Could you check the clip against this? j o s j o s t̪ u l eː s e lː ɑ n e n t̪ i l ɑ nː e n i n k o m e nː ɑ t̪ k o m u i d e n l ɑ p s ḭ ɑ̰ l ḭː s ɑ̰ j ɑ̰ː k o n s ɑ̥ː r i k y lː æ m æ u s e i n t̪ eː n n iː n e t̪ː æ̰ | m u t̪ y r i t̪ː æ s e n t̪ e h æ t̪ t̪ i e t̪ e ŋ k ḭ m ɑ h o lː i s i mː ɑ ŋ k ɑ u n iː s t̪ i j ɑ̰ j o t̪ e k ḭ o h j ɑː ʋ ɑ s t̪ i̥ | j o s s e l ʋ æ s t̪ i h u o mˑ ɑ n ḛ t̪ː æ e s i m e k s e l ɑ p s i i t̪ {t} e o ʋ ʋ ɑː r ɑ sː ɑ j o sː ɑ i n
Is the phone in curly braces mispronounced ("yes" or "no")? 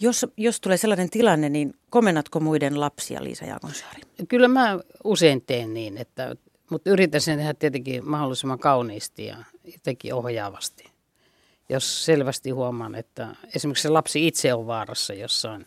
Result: yes